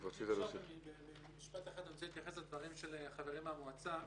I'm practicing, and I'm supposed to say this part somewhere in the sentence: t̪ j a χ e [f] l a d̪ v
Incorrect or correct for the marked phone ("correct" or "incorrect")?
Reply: incorrect